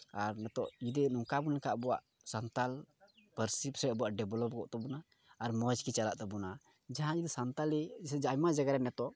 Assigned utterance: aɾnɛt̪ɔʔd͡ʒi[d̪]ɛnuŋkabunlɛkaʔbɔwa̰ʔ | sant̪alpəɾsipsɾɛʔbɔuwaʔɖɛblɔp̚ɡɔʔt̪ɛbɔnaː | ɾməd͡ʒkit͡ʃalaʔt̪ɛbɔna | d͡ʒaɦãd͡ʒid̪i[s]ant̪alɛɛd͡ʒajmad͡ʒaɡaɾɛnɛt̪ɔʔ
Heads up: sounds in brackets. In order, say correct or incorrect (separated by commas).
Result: correct, correct